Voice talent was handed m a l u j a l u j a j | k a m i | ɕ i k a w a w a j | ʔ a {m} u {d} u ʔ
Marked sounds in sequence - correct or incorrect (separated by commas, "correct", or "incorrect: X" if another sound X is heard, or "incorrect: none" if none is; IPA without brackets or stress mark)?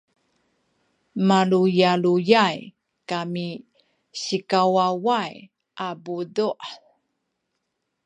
incorrect: b, correct